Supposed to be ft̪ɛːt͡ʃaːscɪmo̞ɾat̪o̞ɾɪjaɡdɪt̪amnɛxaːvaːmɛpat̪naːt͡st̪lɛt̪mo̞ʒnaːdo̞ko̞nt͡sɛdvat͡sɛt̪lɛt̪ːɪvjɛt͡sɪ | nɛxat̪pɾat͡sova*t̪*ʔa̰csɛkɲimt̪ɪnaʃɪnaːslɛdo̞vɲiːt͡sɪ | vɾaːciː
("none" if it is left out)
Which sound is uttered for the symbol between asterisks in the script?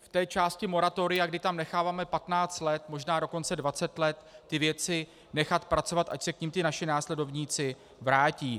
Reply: t̪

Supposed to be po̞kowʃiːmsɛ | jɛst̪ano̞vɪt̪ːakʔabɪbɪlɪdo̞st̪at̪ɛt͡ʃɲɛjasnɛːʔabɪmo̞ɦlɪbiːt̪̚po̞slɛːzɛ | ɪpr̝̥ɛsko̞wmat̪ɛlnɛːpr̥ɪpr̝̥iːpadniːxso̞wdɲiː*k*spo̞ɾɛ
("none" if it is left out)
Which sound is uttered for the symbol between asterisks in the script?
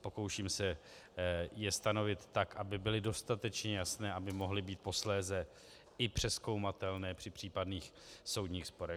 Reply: x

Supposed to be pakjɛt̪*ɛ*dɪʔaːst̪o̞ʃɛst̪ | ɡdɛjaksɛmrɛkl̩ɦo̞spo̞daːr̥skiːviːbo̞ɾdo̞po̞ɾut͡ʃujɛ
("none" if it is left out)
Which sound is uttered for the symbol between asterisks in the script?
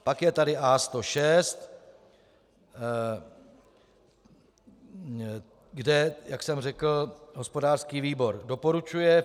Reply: a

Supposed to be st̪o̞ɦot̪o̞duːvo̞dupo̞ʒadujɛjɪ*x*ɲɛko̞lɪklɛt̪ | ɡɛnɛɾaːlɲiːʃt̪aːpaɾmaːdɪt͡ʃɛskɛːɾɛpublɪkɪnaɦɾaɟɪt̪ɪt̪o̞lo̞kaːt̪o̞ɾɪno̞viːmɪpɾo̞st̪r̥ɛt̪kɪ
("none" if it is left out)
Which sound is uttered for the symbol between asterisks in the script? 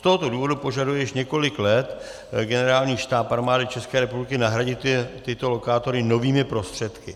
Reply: ʃ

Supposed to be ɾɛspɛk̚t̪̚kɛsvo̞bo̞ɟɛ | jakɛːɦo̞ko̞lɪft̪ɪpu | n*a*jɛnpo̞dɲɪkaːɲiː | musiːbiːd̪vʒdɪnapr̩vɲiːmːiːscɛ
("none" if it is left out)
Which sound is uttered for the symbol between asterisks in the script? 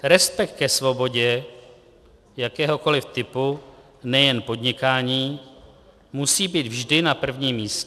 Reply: ɛ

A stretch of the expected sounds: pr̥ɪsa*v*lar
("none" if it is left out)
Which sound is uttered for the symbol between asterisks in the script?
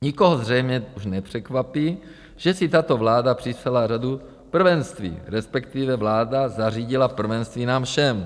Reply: none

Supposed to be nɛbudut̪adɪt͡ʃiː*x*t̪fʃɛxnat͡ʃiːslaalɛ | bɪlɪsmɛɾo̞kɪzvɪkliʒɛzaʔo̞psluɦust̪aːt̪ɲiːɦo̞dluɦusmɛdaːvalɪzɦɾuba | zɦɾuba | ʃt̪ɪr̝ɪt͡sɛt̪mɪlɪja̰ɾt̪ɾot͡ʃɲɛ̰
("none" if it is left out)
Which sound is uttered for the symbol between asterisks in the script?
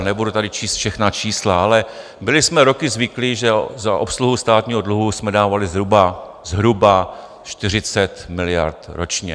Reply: s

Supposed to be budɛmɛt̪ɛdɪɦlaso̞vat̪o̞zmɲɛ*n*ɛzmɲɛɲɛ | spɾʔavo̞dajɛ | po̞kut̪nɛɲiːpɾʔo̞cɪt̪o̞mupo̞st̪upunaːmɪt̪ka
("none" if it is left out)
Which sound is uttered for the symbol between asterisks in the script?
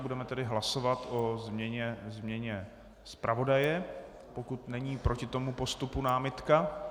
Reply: ɲ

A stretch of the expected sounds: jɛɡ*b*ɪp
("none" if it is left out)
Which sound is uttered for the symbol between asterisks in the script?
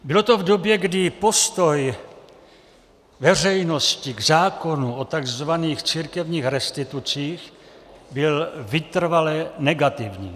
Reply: d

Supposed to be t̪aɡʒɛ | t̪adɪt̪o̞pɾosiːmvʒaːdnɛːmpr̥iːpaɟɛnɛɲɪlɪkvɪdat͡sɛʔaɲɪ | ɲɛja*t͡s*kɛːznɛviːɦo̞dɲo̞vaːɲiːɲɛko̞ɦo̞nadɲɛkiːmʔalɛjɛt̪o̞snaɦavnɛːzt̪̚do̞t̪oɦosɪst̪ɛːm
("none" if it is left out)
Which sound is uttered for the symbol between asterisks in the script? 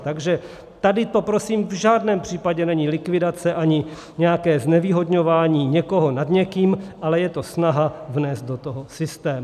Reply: none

